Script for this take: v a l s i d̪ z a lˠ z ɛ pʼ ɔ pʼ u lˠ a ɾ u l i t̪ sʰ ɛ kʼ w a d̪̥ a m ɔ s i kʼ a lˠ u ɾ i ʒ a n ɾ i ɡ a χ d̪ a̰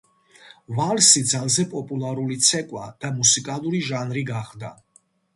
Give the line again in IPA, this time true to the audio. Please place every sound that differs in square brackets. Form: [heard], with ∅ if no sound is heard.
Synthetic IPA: v a l s i d̪ z a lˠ z ɛ pʼ ɔ pʼ u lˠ a ɾ u l i t̪ sʰ ɛ kʼ w a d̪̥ a m [u] s i kʼ a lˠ u ɾ i ʒ a n ɾ i ɡ a χ d̪ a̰